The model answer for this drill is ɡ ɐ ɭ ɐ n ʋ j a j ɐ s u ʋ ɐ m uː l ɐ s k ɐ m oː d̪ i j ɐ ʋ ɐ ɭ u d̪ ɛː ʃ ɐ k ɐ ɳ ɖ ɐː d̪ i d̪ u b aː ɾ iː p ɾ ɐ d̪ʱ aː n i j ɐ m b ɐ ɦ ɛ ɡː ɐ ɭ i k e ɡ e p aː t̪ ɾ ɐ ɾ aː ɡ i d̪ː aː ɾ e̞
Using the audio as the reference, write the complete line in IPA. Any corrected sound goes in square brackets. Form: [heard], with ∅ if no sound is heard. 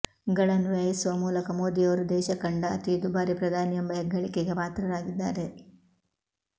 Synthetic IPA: ɡ ɐ ɭ ɐ n ʋ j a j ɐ s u ʋ ɐ m uː l ɐ [∅] k ɐ m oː d̪ i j ɐ ʋ ɐ [ɾ] u d̪ ɛː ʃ ɐ k ɐ ɳ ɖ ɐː [t̪] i d̪ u b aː ɾ [i] p ɾ ɐ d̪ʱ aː n i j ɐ m b ɐ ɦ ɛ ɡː ɐ ɭ i k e ɡ e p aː t̪ ɾ ɐ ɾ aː ɡ i d̪ː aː ɾ e̞